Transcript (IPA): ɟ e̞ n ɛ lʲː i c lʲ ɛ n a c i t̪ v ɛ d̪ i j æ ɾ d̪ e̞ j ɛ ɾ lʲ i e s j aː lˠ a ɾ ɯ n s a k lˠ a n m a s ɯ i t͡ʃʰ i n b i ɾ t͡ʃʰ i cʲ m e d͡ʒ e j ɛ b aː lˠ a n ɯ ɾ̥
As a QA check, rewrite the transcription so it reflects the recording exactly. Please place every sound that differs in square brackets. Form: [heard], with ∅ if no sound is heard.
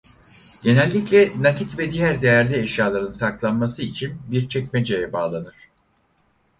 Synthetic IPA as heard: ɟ e̞ n ɛ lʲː i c lʲ ɛ n a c i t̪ v ɛ d̪ i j æ ɾ d̪ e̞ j [æ] ɾ lʲ i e [ʃ] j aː lˠ a ɾ ɯ n s a k lˠ a n m a s ɯ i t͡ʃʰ i n b i ɾ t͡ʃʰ [ɛ] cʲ m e d͡ʒ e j ɛ b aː lˠ a n ɯ ɾ̥